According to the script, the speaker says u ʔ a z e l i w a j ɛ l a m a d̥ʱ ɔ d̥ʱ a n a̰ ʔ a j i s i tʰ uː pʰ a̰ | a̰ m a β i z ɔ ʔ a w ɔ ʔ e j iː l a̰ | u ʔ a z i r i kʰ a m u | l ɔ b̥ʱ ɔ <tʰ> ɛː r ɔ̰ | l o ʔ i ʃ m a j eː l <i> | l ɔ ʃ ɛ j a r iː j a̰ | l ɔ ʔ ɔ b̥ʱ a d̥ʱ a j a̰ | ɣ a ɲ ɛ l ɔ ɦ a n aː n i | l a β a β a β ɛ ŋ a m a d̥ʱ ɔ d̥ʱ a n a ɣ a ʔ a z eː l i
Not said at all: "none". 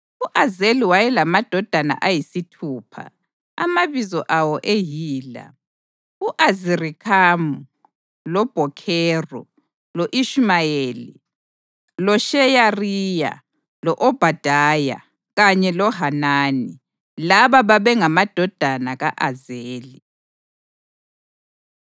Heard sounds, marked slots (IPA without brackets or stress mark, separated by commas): kʰ, i